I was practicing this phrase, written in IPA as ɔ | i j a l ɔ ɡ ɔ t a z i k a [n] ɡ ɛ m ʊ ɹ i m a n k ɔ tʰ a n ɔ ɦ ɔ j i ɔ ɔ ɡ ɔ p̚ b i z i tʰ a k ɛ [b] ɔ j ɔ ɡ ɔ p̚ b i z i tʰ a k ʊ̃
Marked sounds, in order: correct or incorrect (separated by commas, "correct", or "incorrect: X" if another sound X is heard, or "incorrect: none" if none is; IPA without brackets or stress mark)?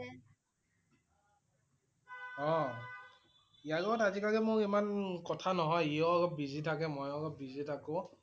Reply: incorrect: none, incorrect: m